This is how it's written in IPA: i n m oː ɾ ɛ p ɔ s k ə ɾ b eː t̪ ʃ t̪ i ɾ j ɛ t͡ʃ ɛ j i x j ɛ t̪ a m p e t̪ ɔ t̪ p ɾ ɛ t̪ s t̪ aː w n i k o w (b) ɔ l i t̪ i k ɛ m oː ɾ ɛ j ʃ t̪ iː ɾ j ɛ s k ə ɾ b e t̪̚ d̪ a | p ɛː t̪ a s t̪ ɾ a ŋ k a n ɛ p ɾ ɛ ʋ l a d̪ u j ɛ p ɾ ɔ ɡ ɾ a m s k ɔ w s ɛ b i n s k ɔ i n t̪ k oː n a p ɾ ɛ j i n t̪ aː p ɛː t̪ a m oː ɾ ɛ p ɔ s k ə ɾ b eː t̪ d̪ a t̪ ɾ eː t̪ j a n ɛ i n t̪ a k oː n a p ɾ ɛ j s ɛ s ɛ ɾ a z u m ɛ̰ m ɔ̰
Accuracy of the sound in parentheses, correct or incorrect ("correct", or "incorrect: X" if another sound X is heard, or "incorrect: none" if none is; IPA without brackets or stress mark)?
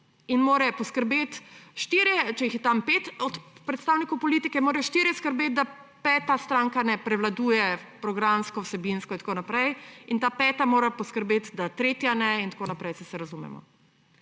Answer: incorrect: p